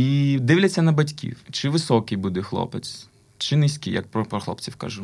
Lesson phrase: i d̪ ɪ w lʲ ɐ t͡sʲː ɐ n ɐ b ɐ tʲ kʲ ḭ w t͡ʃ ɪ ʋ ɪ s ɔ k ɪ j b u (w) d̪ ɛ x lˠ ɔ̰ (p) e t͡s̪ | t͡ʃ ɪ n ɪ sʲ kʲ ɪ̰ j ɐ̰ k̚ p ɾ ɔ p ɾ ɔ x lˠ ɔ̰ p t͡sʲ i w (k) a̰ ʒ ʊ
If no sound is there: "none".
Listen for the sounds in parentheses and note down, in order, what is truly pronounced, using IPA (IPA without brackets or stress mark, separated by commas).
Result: none, p, k